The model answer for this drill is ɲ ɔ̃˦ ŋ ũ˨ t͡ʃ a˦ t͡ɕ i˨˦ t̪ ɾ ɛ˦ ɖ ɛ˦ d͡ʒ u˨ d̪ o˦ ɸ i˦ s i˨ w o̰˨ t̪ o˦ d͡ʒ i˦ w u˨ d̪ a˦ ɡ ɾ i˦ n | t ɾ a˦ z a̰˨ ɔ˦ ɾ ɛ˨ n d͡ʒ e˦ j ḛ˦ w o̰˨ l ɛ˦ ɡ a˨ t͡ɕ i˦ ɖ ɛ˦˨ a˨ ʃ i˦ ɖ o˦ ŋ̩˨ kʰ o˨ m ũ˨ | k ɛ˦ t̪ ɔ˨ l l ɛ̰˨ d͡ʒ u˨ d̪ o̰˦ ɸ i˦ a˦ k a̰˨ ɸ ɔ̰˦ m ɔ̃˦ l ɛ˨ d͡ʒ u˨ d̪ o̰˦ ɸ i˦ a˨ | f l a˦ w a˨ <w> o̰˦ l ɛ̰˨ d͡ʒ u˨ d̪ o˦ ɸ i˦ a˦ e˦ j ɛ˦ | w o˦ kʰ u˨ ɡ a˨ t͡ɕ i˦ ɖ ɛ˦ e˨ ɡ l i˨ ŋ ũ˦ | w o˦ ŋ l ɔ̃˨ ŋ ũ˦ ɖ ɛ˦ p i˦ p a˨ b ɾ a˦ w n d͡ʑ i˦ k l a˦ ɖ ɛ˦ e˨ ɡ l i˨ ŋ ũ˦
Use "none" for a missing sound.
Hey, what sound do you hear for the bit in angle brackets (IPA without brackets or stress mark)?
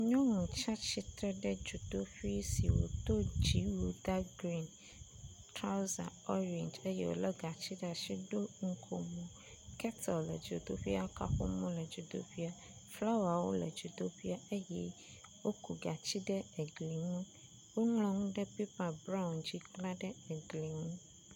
w